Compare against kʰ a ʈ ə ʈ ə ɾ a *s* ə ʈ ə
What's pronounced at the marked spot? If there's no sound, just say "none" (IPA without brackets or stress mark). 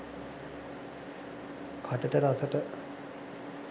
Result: s